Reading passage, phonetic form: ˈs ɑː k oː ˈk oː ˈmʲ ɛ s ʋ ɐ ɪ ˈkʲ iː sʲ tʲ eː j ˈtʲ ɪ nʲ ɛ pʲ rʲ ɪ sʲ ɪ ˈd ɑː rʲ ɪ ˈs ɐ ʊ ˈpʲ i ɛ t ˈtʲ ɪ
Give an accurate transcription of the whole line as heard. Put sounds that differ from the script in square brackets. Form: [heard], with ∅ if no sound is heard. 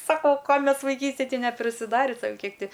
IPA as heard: ˈs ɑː k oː ˈk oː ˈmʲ ɛ s ʋ ɐ ɪ ˈkʲ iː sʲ tʲ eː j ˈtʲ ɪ nʲ ɛ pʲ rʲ ɪ sʲ ɪ ˈd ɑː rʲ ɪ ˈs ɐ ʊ [ˈkʲ] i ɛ [k] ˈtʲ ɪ